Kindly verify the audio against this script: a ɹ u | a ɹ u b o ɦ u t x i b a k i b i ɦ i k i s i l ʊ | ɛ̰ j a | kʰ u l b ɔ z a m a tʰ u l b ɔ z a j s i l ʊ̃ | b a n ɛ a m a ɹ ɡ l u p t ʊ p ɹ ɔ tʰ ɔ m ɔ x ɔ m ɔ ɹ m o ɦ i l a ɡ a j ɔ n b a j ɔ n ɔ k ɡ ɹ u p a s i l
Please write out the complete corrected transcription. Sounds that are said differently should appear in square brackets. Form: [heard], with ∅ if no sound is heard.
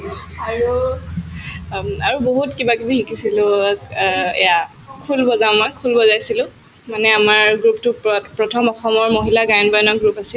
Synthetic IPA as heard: a ɹ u | a ɹ u b o ɦ u t [k] i b a k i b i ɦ i k i s i l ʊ | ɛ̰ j a | kʰ u l b ɔ z a m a [kʰ] u l b ɔ z a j s i l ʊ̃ | [m] a n ɛ a m a ɹ ɡ [ɹ] u p t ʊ p ɹ ɔ tʰ ɔ m ɔ x ɔ m ɔ ɹ m o ɦ i l a ɡ a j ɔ n b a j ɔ n ɔ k ɡ ɹ u p a s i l